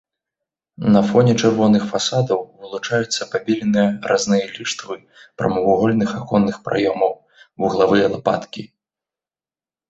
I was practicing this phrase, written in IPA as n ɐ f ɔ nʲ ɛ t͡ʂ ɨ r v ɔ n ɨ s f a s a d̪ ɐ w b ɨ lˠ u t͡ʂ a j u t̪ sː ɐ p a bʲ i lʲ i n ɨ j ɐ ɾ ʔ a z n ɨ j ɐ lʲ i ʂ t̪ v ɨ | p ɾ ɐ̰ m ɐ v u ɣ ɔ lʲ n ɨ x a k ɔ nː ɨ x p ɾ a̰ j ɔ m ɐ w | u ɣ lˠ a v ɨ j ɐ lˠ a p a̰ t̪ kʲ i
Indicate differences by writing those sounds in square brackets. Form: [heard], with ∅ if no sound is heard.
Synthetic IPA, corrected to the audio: n ɐ f ɔ nʲ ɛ t͡ʂ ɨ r v ɔ n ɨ [x] f a s a d̪ ɐ w [v] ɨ lˠ u t͡ʂ a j u t̪ sː ɐ p a bʲ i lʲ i n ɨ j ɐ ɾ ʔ a z n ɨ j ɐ lʲ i ʂ t̪ v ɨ | p ɾ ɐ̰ m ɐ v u ɣ ɔ lʲ n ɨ x a k ɔ nː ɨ x p ɾ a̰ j ɔ m ɐ w | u ɣ lˠ a v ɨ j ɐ lˠ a p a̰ t̪ kʲ i